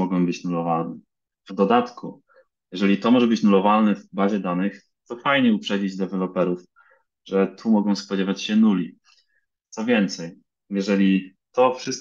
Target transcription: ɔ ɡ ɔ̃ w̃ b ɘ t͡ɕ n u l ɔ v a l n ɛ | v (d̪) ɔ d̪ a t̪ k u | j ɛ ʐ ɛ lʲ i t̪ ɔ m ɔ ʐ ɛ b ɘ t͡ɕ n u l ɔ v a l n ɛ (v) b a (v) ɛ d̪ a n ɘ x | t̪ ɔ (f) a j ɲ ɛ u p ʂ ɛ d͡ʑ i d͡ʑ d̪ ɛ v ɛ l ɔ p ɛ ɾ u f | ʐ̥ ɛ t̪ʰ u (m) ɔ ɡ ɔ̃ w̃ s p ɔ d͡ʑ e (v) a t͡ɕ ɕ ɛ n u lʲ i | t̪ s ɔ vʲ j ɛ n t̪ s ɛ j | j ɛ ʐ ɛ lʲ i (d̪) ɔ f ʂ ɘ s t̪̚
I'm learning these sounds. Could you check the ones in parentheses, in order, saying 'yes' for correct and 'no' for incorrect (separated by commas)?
yes, yes, no, yes, yes, yes, no